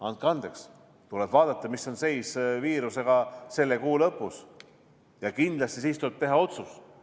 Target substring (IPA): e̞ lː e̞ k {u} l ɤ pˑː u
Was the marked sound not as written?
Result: yes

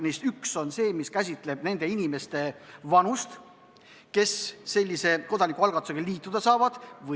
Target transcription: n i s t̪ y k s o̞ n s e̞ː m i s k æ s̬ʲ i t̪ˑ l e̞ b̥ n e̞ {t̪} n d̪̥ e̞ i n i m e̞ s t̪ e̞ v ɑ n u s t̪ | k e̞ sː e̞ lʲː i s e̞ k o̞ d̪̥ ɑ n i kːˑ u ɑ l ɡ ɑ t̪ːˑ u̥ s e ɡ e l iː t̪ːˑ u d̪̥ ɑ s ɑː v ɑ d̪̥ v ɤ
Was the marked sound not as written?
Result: yes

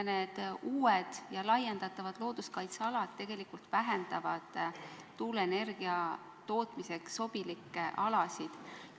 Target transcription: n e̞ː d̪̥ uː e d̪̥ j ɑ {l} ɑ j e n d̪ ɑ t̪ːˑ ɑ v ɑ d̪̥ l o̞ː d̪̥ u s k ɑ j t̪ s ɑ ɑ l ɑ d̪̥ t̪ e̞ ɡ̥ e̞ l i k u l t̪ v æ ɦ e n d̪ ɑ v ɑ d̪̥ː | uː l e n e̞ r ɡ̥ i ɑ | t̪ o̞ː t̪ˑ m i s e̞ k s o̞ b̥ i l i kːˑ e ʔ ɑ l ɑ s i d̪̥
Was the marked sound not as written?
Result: no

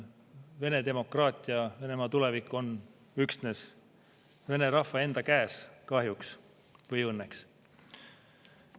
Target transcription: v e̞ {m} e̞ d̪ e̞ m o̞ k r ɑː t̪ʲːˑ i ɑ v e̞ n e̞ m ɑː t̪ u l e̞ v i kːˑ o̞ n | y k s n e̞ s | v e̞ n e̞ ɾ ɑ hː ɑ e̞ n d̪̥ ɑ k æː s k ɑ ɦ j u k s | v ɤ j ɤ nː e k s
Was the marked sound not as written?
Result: yes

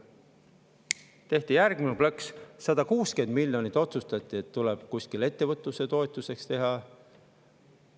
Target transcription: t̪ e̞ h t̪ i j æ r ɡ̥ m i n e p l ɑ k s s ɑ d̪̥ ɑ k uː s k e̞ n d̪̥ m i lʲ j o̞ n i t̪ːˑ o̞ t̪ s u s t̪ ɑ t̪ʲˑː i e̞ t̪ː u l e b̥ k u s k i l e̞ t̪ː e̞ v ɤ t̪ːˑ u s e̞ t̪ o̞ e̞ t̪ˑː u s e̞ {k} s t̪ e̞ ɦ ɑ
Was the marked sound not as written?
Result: no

